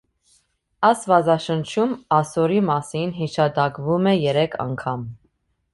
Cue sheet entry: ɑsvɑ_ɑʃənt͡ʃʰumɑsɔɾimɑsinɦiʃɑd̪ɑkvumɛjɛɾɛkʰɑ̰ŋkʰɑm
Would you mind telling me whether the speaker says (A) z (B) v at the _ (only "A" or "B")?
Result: A